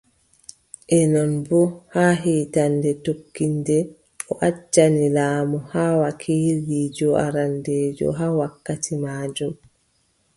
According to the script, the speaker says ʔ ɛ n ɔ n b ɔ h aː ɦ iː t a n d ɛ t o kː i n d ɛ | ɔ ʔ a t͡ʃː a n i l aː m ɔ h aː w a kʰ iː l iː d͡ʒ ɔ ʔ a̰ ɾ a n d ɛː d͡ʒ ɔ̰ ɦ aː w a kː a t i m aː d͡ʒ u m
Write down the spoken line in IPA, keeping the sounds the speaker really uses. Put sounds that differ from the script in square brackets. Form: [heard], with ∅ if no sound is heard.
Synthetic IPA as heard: ʔ ɛ n ɔ n b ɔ h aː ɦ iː t a n d ɛ t o kː i n d ɛ | ɔ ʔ a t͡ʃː a n i l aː m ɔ h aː w a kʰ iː l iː d͡ʒ ɔ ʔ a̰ ɾ a n d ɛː d͡ʒ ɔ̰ ɦ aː w a kː a t i m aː d͡ʒ u m